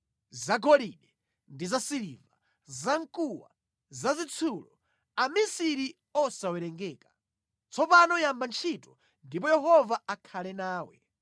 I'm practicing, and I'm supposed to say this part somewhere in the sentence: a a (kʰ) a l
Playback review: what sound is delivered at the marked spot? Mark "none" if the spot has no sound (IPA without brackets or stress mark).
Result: kʰ